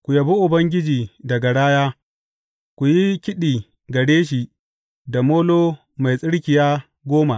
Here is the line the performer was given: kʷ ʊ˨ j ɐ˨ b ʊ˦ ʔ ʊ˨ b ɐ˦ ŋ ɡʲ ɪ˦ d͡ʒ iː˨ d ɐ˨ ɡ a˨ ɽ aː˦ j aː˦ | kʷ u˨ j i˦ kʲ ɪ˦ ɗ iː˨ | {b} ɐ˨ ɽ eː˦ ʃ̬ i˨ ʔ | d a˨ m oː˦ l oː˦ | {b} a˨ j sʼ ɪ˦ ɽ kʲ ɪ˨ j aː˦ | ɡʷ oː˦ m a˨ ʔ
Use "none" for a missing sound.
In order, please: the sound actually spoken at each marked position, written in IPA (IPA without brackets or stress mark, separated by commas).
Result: ɡ, m